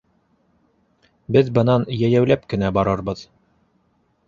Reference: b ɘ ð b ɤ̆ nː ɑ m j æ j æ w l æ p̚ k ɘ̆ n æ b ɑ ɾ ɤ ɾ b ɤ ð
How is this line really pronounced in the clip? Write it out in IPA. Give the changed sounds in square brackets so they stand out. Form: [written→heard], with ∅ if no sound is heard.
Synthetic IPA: b ɘ ð b ɤ̆ [nː→n] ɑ [m→n] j æ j æ w l æ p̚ k ɘ̆ n æ b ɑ ɾ ɤ ɾ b ɤ ð

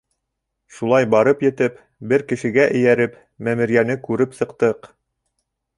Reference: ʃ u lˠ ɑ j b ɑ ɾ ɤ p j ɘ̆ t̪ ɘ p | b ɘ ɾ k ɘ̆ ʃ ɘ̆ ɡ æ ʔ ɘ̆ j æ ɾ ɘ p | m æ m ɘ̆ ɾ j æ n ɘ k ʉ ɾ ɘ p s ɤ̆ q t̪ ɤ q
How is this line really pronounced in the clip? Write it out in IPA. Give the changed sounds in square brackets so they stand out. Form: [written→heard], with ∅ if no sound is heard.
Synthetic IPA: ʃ u lˠ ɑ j b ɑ ɾ ɤ p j ɘ̆ t̪ ɘ p | b ɘ ɾ k ɘ̆ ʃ ɘ̆ ɡ æ ʔ ɘ̆ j æ ɾ ɘ p | m æ m ɘ̆ ɾ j æ n ɘ k ʉ ɾ ɘ p s ɤ̆ q t̪ ɤ q

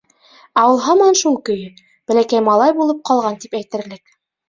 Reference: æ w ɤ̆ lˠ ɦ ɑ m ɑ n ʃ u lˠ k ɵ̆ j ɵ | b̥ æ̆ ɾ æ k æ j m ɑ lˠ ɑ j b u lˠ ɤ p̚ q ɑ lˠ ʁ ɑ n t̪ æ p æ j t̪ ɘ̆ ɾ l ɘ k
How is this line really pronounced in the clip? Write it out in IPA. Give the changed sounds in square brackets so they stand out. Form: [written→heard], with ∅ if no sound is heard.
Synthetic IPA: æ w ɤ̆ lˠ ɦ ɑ m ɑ n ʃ u lˠ k ɵ̆ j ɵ | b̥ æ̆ [ɾ→l] æ k æ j m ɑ lˠ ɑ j b u lˠ ɤ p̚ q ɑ lˠ ʁ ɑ n t̪ [æ→i] p æ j t̪ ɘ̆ ɾ l ɘ k

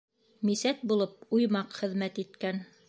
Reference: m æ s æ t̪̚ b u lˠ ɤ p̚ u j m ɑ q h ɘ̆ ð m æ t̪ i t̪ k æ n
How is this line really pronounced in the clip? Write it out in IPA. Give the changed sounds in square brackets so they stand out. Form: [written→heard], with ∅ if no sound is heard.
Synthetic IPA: m [æ→i] s æ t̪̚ b u lˠ ɤ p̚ u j m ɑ q [h→χ] ɘ̆ ð m æ t̪ i t̪ k æ n

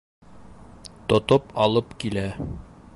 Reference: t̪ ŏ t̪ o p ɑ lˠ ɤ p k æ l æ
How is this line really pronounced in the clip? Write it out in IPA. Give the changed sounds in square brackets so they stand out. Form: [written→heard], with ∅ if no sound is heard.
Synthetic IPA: t̪ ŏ t̪ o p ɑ lˠ ɤ p k [æ→i] l æ

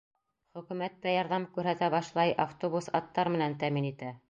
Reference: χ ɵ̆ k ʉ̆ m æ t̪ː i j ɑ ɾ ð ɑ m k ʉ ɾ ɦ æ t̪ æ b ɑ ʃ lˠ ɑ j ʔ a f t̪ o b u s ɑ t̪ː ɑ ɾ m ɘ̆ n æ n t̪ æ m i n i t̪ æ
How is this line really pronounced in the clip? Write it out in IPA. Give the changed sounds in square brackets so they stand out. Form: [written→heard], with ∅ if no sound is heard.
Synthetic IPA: χ ɵ̆ k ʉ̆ m æ t̪ː [i→æ] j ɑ ɾ ð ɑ m k ʉ ɾ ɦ æ t̪ æ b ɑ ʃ lˠ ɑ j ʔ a f t̪ o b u s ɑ t̪ː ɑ ɾ m ɘ̆ n æ n t̪ æ m i n i t̪ æ

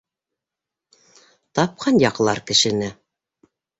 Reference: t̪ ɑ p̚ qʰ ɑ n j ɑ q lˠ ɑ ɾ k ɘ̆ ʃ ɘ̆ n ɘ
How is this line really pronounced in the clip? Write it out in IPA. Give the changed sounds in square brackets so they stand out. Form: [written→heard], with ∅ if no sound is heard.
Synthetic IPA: t̪ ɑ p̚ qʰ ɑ n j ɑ q lˠ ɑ ɾ k ɘ̆ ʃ ɘ̆ n ɘ

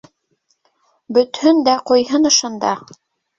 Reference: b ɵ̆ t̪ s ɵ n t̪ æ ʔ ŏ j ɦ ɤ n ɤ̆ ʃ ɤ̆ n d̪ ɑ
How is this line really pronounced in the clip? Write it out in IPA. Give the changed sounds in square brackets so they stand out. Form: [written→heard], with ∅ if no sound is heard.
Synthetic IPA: b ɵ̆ t̪ [s→h] ɵ n [t̪→d̪] æ [ʔ→q] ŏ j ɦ ɤ n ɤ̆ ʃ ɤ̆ n d̪ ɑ

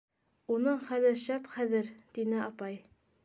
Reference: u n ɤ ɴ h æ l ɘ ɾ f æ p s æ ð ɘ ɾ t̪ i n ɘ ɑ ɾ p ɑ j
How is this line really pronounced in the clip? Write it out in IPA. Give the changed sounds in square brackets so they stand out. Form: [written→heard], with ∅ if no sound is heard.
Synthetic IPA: u n ɤ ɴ [h→χ] æ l ɘ ɾ [f→ʃ] æ p [s→χ] æ ð ɘ ɾ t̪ i n ɘ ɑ [ɾ→∅] p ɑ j

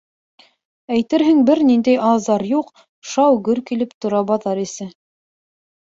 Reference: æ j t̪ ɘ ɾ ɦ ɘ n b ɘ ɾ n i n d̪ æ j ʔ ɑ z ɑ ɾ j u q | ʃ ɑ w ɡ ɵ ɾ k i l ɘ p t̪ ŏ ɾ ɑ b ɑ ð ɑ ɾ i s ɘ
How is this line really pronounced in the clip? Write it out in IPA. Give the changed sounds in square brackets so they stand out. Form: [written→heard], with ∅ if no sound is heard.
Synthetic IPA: æ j t̪ ɘ ɾ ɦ ɘ [n→ŋ] b ɘ ɾ n i n d̪ æ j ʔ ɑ z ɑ ɾ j u q | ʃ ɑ w ɡ ɵ ɾ k i l ɘ p t̪ ŏ ɾ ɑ b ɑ ð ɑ ɾ i s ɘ

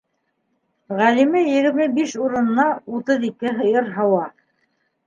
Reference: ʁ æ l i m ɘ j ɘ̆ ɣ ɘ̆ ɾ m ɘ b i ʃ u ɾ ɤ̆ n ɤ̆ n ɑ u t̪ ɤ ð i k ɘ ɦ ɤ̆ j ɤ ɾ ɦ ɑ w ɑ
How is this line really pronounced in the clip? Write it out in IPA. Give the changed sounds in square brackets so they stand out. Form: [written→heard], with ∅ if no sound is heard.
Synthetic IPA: ʁ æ l i m ɘ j ɘ̆ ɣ ɘ̆ ɾ m ɘ b i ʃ u ɾ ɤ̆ n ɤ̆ n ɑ u t̪ ɤ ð i k ɘ ɦ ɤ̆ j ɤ ɾ ɦ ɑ w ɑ

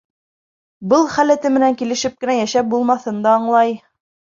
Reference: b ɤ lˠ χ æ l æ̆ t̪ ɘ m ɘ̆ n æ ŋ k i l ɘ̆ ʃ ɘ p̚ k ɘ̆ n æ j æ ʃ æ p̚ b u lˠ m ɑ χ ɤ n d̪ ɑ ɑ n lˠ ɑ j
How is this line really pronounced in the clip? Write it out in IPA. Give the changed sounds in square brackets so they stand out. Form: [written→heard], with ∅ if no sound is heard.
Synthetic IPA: b ɤ lˠ χ æ l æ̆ t̪ ɘ m ɘ̆ n æ ŋ k i l ɘ̆ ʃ ɘ p̚ k ɘ̆ n æ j æ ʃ æ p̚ b u lˠ m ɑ [χ→θ] ɤ n d̪ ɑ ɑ [n→ɴ] lˠ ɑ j

